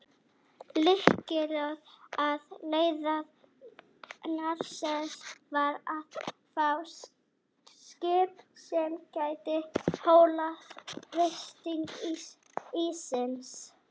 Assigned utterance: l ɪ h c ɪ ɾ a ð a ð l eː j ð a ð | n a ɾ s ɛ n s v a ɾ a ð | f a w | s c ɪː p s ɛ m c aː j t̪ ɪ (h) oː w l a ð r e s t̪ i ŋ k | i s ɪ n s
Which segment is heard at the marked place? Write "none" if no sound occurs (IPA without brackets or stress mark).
h